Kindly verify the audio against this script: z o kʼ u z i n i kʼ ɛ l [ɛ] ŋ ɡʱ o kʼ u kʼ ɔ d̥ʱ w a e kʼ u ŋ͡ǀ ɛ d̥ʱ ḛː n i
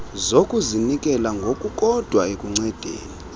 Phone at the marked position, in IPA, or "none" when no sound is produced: a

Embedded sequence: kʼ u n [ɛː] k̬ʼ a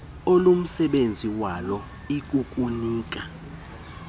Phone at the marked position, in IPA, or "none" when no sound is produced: iː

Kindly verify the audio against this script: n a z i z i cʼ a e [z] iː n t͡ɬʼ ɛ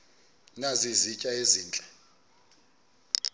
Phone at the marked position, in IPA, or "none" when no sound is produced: z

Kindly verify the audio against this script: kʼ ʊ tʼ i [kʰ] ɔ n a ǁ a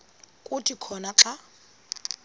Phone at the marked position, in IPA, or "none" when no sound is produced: kʰ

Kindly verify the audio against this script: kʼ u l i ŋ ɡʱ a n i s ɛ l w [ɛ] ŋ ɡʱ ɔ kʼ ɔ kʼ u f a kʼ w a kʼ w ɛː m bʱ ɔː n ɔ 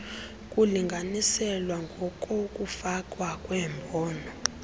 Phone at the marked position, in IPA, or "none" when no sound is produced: a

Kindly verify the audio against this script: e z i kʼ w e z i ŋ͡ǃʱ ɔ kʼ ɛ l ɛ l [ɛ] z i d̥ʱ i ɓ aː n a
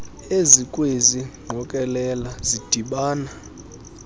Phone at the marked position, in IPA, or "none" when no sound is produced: a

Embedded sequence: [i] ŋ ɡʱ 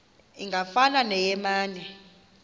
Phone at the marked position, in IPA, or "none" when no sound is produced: i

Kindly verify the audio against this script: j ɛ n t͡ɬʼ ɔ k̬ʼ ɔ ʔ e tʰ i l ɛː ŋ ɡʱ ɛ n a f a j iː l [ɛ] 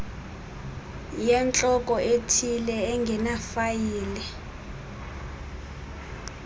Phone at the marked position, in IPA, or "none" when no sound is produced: ɛ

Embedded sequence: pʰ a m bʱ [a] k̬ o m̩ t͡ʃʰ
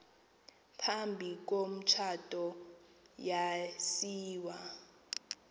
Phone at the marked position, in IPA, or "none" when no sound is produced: i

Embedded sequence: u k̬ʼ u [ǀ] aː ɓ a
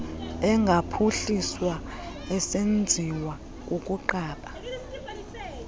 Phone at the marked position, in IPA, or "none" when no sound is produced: ǃ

